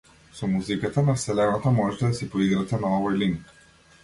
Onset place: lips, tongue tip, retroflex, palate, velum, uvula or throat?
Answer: tongue tip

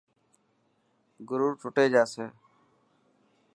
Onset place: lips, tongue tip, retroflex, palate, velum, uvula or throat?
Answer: velum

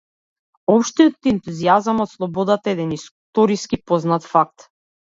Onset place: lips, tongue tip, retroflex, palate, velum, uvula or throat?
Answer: lips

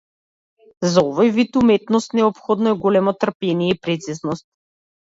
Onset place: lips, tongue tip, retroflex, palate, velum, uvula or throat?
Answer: tongue tip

